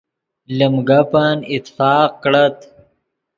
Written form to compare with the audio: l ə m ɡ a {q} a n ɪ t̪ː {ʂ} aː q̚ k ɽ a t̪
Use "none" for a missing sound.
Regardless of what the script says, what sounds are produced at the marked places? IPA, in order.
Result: p, f

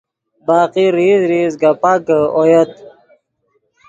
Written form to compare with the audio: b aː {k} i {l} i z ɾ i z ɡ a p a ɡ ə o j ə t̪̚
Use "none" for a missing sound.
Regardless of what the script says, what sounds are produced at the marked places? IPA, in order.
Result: q, ɾ

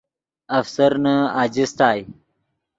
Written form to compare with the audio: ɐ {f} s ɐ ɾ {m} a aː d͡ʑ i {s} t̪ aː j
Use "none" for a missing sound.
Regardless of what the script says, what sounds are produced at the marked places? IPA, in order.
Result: f, n, s

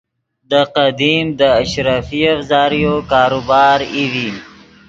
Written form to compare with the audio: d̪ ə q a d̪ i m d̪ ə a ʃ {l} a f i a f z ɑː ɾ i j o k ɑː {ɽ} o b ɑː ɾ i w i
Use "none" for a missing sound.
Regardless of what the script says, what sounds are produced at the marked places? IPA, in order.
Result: ɾ, ɾ

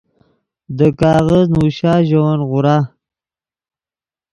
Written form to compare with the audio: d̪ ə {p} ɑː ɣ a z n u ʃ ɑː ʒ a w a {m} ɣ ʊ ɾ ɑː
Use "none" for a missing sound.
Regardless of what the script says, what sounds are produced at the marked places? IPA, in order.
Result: k, n

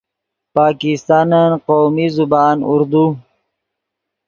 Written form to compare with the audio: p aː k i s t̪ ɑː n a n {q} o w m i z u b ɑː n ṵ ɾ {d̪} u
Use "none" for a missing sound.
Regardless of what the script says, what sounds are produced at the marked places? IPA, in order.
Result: q, d̪

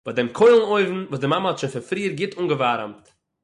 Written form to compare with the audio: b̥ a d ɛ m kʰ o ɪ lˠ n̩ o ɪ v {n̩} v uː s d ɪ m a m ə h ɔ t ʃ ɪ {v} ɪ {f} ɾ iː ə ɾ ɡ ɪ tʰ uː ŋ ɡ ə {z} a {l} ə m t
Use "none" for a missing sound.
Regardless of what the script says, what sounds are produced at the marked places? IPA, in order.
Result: n̩, f, f, v, ɾ

